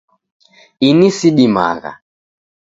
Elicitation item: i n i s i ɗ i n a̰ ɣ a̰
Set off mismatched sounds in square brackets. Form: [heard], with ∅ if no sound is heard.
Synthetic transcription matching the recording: i n i s i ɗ i [m] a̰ ɣ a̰

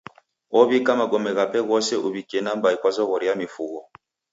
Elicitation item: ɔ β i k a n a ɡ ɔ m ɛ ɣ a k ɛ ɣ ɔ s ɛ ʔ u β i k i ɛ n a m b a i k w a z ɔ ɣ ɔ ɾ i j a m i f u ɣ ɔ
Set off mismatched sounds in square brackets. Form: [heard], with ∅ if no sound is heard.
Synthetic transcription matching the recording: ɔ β i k a [m] a ɡ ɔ m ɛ ɣ a [p] ɛ ɣ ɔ s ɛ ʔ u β i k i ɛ n a m b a i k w a z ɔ ɣ ɔ ɾ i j a m i f u ɣ ɔ

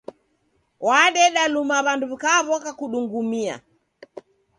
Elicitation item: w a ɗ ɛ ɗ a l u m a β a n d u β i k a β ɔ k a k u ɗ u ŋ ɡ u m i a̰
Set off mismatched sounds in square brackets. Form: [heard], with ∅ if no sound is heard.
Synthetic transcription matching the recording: w a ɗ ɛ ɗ a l u m a β a n d u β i k a β ɔ k a k u ɗ u ŋ ɡ u m i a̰

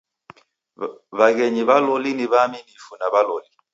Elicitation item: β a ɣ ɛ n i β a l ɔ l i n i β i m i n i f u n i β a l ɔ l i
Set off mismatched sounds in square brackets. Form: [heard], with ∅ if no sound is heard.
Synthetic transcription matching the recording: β a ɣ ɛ [ɲ] i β a l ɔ l i n i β [a] m i n i f u n [a] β a l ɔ l i

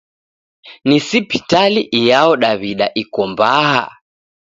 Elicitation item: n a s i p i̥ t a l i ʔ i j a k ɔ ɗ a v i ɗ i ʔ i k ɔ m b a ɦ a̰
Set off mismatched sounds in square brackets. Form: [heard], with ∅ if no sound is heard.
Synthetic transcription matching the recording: n [i] s i p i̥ t a l i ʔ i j a [∅] ɔ ɗ a [β] i ɗ [a] ʔ i k ɔ m b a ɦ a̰

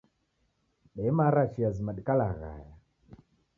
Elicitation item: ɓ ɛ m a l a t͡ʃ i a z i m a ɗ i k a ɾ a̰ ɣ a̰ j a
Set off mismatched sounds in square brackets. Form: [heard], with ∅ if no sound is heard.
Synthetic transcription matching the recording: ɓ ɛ m a [ɾ] a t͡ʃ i a z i m a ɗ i k a [l] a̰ ɣ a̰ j a

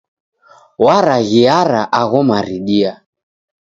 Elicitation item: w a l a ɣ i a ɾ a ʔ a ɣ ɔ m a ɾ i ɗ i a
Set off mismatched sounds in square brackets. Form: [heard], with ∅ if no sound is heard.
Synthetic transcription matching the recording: w a [ɾ] a ɣ i a ɾ a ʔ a ɣ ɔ m a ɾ i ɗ i a

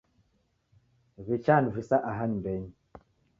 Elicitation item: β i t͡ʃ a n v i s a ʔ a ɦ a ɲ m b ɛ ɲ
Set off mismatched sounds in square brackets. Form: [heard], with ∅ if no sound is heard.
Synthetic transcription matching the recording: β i t͡ʃ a n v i s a ʔ a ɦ a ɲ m b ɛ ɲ

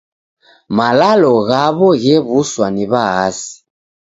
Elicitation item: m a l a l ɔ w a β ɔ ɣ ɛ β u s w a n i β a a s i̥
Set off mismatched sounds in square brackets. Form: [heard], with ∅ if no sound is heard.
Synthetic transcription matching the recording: m a l a l ɔ [ɣ] a β ɔ ɣ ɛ β u s w a n i β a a s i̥

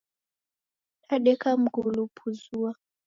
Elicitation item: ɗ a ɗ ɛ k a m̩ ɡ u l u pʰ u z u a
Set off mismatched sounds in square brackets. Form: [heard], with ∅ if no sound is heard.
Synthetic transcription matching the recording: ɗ a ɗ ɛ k a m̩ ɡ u l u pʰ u z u a

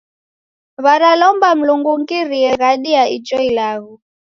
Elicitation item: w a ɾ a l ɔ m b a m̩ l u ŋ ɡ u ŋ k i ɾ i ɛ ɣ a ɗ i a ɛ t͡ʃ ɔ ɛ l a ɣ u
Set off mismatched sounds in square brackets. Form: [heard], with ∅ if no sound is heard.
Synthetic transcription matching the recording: [β] a ɾ a l ɔ m b a m̩ l u ŋ ɡ u ŋ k i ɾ i ɛ ɣ a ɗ i a [i] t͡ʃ ɔ [i] l a ɣ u

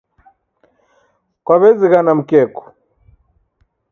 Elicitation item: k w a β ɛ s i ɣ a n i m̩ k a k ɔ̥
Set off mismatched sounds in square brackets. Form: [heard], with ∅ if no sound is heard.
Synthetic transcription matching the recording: k w a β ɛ [z] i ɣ a n [a] m̩ k [ɛ] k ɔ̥

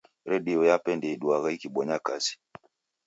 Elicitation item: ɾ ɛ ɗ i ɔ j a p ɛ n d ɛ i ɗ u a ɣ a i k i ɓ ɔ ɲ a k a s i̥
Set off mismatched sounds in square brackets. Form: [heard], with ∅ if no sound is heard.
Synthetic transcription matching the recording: ɾ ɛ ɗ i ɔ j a p ɛ n d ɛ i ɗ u a ɣ a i k i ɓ ɔ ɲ a k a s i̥

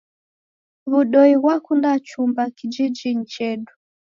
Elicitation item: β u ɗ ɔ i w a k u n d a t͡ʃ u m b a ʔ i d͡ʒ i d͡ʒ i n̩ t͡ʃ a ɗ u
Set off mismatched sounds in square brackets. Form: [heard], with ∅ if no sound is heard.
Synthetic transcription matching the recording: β u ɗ ɔ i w a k u n d a t͡ʃ u m b a [k] i d͡ʒ i d͡ʒ i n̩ t͡ʃ [ɛ] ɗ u

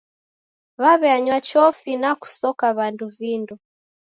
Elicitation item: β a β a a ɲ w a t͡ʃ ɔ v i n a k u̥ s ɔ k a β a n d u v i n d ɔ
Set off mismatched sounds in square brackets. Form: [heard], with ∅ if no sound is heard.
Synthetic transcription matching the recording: β a β [ɛ] a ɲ w a t͡ʃ ɔ [f] i n a k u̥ s ɔ k a β a n d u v i n d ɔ

